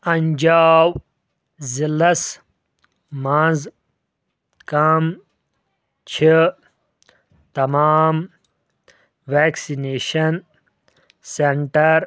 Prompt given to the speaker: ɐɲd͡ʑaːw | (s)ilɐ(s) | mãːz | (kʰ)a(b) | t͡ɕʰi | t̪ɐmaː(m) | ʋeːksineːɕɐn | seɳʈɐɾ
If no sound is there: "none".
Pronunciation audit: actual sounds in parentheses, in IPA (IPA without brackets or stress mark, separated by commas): z, s, k, m, m